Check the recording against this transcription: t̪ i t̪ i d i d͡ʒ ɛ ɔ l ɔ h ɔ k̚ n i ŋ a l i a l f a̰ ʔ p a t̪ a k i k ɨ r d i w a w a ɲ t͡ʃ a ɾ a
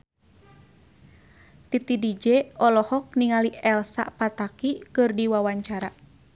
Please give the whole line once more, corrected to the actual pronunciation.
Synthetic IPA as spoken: t̪ i t̪ i d i d͡ʒ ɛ ɔ l ɔ h ɔ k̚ n i ŋ a l i ɛ l s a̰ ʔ p a t̪ a k i k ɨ r d i w a w a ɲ t͡ʃ a ɾ a